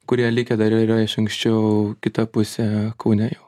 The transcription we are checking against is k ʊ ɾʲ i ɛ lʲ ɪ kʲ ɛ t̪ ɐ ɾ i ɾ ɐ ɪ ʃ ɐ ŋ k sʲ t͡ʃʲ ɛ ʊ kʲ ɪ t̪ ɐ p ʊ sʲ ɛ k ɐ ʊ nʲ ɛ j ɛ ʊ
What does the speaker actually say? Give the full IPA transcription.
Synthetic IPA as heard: k ʊ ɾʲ i ɛ lʲ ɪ kʲ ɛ d̪ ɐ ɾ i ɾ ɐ ɪ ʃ ɐ ŋ k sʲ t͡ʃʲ ɛ ʊ kʲ ɪ t̪ ɐ p ʊ sʲ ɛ k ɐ ʊ nʲ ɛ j ɛ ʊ